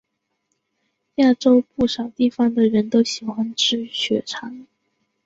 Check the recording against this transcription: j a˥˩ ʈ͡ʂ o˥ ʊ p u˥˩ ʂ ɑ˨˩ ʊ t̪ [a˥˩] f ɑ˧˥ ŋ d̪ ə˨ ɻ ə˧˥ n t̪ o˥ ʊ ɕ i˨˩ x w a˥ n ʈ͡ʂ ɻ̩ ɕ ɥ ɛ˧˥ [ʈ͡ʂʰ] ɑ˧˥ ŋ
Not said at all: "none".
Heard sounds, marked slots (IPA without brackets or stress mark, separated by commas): i˥˩, ʈ͡ʂʰ